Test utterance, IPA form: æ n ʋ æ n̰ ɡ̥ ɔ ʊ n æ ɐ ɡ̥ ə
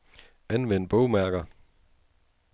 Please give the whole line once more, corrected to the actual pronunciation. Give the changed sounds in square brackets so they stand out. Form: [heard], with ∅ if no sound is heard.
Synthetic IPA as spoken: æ n ʋ [e] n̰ [b̥] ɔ ʊ [m] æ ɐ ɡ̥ [ɐ]